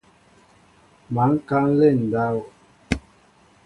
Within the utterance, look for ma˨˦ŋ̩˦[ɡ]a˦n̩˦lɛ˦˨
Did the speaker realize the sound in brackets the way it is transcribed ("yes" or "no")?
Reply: no